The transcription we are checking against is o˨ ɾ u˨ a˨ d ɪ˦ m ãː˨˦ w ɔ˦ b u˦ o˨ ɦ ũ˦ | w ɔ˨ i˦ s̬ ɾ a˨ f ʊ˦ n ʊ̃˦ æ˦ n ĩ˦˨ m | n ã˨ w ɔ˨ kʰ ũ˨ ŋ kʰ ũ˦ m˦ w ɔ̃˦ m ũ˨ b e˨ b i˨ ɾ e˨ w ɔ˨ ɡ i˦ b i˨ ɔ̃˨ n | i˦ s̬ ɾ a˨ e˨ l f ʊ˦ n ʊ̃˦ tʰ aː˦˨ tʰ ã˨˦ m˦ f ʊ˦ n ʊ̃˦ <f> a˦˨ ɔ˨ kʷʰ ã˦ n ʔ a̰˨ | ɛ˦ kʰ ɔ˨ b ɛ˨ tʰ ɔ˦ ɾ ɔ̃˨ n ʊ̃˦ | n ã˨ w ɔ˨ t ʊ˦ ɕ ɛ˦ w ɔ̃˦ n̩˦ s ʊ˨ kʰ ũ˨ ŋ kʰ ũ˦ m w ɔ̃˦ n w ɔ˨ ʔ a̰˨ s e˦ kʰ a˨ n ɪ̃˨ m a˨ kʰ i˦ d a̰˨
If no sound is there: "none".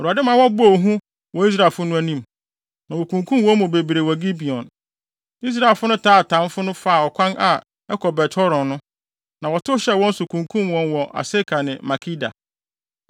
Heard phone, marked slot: f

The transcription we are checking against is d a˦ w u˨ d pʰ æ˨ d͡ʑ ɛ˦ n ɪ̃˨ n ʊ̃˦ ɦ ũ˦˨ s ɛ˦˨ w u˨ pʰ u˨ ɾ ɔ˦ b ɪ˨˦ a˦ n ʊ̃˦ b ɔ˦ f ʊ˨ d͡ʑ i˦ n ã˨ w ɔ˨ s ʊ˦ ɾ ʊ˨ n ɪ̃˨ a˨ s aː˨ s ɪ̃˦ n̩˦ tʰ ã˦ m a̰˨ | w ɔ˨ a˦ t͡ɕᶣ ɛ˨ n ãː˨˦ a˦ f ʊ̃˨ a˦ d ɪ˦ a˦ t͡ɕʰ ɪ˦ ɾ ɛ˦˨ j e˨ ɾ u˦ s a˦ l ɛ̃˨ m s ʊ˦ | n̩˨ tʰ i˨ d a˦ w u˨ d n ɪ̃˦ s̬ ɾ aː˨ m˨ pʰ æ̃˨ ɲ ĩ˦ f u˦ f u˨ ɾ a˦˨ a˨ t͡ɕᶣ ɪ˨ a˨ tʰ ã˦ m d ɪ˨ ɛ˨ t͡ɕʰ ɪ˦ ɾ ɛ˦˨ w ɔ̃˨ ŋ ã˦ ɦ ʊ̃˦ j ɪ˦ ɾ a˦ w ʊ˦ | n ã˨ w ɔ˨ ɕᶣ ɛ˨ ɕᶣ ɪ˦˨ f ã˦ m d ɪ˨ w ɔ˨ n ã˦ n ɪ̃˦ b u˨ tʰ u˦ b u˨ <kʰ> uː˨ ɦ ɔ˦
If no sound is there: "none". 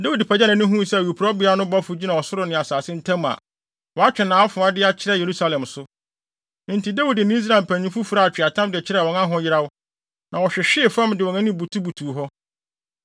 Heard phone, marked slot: tʰ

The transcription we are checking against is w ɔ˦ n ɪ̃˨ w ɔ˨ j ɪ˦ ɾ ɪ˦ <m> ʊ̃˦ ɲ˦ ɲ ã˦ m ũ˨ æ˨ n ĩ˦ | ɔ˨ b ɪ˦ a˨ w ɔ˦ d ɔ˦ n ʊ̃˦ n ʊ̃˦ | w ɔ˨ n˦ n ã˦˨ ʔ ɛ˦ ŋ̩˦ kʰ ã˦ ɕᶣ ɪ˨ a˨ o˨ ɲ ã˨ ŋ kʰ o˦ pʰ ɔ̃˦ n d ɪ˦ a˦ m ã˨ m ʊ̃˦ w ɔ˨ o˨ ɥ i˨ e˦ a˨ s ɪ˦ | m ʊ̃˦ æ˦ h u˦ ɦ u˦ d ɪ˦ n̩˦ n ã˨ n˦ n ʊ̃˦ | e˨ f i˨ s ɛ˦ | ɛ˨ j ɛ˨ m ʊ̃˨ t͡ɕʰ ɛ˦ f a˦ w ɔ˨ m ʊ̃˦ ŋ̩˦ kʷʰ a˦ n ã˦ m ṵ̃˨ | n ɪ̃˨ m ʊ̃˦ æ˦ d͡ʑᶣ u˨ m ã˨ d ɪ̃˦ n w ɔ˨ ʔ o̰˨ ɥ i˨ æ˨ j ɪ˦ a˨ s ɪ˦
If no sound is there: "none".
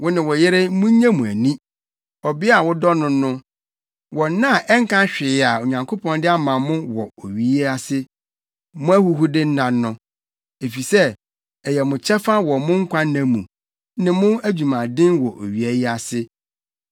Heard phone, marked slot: m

